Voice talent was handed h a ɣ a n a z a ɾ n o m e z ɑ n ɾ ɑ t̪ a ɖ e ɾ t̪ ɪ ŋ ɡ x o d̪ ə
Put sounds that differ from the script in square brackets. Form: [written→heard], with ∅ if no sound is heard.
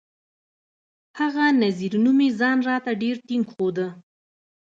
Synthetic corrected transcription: h a ɣ a n a z [a→i] ɾ n [o→u] m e z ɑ n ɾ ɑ t̪ a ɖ e ɾ t̪ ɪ ŋ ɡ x o d̪ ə